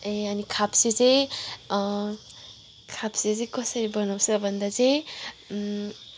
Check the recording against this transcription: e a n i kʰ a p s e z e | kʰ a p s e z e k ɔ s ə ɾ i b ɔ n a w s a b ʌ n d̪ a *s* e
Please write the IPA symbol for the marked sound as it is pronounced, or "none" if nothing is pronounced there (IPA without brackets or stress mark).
z